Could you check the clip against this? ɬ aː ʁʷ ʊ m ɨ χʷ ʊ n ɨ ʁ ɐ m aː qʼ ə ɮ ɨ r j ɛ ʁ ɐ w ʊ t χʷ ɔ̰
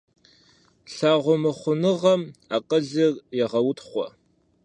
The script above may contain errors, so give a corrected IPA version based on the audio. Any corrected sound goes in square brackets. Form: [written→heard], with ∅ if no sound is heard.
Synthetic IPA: ɬ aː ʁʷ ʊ m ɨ χʷ ʊ n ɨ ʁ ɐ m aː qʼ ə ɮ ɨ r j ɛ ʁ ɐ w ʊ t χʷ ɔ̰